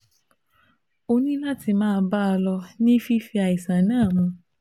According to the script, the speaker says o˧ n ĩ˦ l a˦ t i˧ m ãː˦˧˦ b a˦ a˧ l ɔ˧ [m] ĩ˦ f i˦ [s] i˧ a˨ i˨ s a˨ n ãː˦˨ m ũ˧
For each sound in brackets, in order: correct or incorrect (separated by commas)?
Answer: incorrect, incorrect